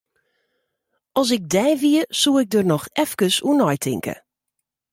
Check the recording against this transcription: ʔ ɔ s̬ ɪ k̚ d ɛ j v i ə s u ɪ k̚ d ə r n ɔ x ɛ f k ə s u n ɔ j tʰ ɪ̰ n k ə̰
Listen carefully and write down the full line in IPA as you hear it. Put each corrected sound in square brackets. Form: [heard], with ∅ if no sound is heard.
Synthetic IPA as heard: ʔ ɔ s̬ ɪ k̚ d ɛ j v i ə s u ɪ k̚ d ə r n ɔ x ɛ f k ə s u n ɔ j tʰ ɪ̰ [ŋ] k ə̰